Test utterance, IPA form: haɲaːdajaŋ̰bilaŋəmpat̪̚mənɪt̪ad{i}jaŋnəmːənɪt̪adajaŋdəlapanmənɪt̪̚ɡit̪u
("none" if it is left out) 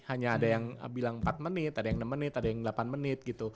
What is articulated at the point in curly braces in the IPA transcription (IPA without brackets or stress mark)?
a